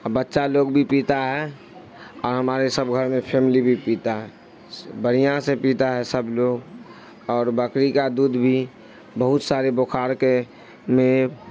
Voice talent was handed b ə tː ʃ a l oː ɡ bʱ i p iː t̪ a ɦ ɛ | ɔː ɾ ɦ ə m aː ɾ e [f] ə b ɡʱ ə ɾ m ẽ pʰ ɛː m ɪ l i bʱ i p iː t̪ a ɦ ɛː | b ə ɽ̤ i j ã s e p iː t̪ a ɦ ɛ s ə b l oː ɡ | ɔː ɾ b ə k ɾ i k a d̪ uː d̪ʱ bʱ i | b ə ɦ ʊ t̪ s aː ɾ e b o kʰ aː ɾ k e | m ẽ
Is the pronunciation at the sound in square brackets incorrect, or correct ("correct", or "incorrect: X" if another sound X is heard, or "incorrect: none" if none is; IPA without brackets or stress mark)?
incorrect: s